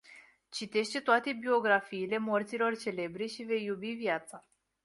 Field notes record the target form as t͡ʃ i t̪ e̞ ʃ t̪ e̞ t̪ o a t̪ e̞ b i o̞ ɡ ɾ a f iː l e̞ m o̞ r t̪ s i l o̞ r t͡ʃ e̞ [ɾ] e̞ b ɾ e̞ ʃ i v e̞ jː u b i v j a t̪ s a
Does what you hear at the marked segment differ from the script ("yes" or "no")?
yes